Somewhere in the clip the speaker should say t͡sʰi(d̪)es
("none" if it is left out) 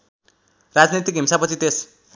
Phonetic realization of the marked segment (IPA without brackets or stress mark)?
t̪